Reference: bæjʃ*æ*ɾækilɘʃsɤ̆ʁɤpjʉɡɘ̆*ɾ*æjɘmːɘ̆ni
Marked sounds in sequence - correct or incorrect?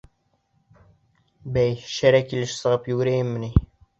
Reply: correct, correct

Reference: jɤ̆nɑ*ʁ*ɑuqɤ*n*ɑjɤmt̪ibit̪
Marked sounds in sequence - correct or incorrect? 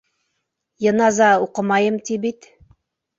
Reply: incorrect, incorrect

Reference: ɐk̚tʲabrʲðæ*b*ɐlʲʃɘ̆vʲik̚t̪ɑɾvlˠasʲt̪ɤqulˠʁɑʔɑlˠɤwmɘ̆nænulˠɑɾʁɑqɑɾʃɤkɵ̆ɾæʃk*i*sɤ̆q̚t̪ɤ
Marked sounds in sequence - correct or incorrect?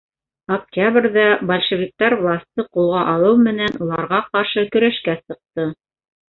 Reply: correct, incorrect

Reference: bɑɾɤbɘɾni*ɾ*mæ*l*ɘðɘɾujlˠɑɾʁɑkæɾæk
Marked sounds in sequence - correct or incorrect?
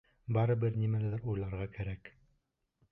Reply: incorrect, correct

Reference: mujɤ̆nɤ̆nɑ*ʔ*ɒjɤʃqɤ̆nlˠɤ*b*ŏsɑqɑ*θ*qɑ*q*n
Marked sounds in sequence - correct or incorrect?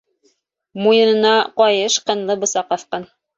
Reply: incorrect, correct, correct, incorrect

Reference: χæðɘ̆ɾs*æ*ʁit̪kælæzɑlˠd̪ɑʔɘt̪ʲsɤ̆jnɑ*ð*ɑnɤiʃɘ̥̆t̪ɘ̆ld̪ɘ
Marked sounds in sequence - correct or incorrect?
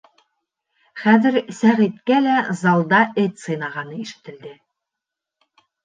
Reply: correct, incorrect

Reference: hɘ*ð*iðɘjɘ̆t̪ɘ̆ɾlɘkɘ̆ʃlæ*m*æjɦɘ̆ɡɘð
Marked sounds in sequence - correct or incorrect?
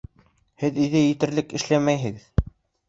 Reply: correct, correct

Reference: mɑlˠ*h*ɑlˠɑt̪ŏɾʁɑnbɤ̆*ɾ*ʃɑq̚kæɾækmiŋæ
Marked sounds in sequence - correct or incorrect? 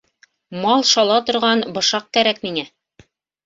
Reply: incorrect, incorrect

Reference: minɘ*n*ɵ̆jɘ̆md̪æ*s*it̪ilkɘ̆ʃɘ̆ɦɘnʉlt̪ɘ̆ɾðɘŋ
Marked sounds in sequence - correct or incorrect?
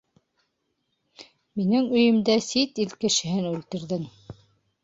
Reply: incorrect, correct

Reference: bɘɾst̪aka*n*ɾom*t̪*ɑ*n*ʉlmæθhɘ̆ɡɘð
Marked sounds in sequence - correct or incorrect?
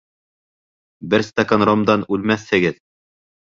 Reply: correct, incorrect, correct

